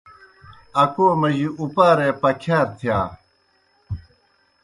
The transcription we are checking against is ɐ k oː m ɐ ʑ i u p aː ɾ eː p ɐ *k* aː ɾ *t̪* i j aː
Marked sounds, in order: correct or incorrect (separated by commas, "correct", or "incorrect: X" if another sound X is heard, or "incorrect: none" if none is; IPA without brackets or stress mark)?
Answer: incorrect: kʰ, incorrect: t̪ʰ